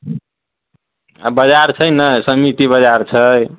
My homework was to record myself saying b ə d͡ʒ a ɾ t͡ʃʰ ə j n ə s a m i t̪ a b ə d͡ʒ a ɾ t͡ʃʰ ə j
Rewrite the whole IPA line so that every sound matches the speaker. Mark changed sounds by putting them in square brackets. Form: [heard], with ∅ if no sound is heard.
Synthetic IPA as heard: b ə d͡ʒ a ɾ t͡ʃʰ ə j n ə s [ə] m i t̪ [i] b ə d͡ʒ a ɾ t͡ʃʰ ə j